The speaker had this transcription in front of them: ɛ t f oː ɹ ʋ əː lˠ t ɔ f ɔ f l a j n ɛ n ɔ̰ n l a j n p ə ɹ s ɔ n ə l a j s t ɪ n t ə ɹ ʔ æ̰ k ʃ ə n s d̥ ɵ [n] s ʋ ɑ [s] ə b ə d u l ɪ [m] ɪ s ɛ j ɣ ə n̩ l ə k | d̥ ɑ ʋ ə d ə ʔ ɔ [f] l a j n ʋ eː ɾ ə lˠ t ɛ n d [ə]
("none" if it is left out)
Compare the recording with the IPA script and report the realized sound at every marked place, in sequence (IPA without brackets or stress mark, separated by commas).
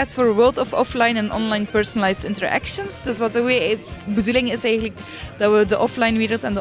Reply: none, t, ŋ, f, ə